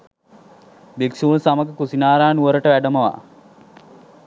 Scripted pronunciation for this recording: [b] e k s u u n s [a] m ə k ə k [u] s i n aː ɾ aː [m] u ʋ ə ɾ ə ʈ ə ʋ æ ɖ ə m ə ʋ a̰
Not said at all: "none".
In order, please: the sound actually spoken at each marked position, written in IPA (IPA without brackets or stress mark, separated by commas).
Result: b, a, u, n